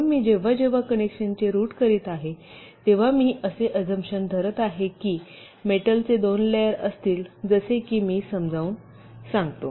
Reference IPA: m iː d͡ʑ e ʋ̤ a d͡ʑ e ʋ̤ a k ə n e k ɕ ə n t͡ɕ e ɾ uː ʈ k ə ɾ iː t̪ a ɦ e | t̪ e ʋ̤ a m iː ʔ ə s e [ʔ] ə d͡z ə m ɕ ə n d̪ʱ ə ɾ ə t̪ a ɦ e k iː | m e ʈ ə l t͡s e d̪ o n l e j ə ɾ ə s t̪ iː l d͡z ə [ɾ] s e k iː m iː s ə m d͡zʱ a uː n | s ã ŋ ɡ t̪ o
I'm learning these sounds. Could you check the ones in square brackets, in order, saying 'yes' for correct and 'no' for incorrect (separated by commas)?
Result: yes, no